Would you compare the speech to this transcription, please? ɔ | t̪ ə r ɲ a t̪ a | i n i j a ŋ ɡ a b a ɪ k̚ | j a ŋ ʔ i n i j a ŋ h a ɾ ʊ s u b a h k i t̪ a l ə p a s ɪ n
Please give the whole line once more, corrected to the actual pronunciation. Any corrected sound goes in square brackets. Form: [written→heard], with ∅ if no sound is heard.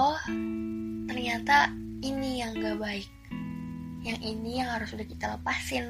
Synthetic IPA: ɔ | t̪ ə r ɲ a t̪ a | i n i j a ŋ ɡ a b a ɪ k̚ | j a ŋ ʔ i n i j a ŋ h a ɾ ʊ s u [b→d] a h k i t̪ a l ə p a s ɪ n